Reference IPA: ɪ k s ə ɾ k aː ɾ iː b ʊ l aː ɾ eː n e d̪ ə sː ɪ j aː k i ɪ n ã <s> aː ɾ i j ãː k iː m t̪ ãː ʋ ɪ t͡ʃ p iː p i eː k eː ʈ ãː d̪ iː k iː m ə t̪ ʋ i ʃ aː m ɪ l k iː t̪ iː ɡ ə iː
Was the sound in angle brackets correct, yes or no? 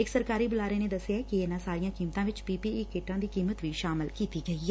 yes